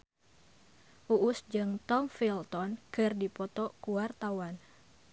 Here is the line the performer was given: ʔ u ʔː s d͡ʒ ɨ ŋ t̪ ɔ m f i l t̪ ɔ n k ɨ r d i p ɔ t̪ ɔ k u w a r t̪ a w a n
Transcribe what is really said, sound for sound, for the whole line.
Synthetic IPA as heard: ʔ u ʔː s d͡ʒ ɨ ŋ t̪ ɔ m f i l t̪ ɔ n k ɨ r d i p ɔ t̪ ɔ k u w a r t̪ a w a n